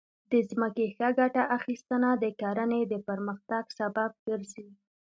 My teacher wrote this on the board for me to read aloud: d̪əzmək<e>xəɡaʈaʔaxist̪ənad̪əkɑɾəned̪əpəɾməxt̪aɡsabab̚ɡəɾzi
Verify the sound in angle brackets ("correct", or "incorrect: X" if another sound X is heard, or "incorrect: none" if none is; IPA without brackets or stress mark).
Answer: correct